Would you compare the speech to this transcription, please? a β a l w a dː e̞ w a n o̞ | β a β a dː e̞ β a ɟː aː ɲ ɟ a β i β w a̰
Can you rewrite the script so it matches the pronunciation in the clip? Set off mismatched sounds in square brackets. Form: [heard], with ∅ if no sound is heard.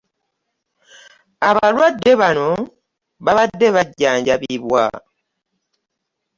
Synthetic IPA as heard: a β a l w a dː e̞ [β] a n o̞ | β a β a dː e̞ β a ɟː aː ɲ ɟ a β i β w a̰